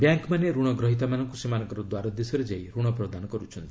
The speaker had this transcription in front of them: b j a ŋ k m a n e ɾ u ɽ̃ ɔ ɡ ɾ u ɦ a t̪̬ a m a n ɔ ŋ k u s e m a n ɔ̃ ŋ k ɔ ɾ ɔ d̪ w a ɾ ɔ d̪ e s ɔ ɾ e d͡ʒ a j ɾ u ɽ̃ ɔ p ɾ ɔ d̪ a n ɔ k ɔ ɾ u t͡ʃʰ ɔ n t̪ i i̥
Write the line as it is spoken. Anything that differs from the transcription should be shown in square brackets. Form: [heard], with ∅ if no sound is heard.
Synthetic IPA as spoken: b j a ŋ k m a n e ɾ u ɽ̃ ɔ ɡ ɾ [ɔ] ɦ [i] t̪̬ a m a n ɔ ŋ k u s e m a n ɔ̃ ŋ k ɔ ɾ ɔ d̪ w a ɾ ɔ d̪ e s ɔ ɾ e d͡ʒ a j ɾ u ɽ̃ ɔ p ɾ ɔ d̪ a n ɔ k ɔ ɾ u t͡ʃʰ ɔ n t̪ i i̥